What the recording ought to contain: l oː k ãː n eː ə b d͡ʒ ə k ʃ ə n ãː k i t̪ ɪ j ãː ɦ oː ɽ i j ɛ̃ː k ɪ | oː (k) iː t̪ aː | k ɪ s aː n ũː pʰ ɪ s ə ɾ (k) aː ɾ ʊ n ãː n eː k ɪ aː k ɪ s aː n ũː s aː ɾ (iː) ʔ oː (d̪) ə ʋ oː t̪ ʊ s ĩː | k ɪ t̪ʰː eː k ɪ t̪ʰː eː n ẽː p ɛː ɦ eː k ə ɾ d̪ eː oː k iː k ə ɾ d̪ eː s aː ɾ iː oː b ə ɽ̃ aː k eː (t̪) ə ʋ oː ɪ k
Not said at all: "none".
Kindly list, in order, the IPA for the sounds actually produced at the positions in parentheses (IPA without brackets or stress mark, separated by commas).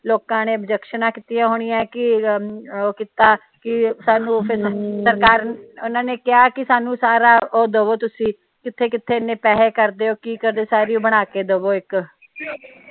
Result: k, k, aː, d̪, d̪